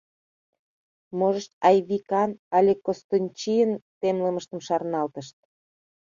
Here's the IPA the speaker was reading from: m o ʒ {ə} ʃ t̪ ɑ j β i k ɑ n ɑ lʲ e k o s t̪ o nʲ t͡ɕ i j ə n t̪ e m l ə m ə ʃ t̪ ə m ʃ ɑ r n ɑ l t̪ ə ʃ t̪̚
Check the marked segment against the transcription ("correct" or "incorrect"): correct